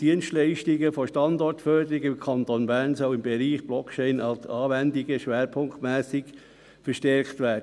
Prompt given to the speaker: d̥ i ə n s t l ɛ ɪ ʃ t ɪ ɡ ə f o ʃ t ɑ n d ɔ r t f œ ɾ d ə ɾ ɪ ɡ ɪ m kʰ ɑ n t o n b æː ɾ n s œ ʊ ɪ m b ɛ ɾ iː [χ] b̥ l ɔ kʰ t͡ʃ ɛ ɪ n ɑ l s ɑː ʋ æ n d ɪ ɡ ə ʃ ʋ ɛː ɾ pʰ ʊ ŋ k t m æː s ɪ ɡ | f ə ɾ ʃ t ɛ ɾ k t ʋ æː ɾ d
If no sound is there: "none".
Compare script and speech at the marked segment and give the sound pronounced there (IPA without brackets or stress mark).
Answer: χ